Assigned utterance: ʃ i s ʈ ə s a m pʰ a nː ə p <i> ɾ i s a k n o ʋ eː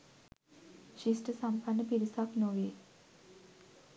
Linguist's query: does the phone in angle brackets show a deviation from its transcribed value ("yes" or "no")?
no